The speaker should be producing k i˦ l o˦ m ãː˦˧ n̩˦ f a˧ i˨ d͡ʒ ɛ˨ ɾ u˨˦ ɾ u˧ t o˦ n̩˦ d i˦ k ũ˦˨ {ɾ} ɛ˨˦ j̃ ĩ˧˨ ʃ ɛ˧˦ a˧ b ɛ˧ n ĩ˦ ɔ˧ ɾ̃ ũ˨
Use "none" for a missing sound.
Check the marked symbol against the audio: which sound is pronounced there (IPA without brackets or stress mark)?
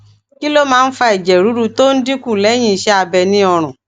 l